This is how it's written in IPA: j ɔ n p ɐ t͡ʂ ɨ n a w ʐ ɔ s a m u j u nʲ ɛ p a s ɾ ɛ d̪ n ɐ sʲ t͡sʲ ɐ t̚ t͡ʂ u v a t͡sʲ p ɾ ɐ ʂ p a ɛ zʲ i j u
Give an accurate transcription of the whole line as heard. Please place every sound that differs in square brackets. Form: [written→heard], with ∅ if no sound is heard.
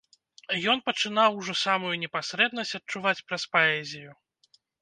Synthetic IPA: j ɔ n p ɐ t͡ʂ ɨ n a w ʐ ɔ s a m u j u nʲ ɛ p a s ɾ ɛ d̪ n ɐ sʲ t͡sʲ ɐ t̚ t͡ʂ u v a t͡sʲ p ɾ ɐ [ʂ→s] p a ɛ zʲ i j u